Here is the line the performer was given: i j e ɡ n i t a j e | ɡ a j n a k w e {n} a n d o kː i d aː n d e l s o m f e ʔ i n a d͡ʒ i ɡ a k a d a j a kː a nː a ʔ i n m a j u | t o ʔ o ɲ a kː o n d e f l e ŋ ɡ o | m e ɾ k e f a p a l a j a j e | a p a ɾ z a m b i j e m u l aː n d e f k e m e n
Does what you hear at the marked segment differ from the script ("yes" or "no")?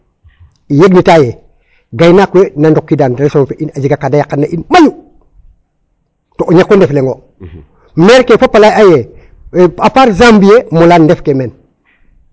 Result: no